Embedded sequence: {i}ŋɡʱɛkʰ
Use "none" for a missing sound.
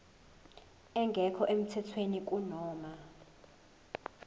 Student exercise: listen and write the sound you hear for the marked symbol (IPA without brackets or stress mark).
ɛ